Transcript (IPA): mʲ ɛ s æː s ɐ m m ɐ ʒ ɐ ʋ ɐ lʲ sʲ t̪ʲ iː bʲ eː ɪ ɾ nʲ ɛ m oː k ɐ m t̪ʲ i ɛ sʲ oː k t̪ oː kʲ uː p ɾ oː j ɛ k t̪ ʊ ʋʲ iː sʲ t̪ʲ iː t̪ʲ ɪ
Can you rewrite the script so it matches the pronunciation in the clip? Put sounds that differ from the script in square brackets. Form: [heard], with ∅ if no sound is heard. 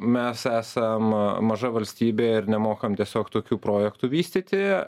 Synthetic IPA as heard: mʲ ɛ s æː s ɐ m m ɐ ʒ ɐ ʋ ɐ lʲ sʲ t̪ʲ iː bʲ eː ɪ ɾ nʲ ɛ m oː k ɐ m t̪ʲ i ɛ sʲ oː k t̪ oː kʲ uː p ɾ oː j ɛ k t̪ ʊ ʋʲ iː sʲ t̪ʲ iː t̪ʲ ɪ